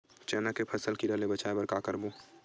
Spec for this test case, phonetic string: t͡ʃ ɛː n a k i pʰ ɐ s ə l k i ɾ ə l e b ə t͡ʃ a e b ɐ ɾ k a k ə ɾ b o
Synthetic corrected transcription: t͡ʃ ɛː n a k e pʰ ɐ s ə l k i ɾ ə l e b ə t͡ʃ a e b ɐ ɾ k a k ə ɾ b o